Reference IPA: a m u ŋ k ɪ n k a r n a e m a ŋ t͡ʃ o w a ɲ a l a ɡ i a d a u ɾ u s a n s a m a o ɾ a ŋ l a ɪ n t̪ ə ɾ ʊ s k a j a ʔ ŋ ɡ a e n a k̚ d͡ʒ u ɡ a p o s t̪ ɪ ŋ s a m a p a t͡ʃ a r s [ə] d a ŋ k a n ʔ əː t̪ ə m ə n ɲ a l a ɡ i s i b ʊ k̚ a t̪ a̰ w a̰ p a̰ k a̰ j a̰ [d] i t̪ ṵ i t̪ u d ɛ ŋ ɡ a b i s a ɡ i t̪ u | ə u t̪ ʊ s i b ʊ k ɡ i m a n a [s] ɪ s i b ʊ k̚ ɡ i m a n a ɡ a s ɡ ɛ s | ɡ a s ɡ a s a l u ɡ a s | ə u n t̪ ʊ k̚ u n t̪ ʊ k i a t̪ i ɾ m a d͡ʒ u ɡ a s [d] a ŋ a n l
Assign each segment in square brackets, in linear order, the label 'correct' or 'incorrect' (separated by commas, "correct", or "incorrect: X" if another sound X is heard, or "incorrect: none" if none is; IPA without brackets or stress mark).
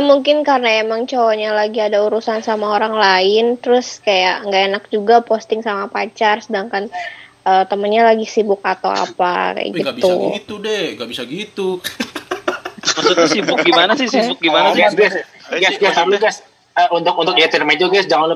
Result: correct, incorrect: ɡ, correct, incorrect: d͡ʒ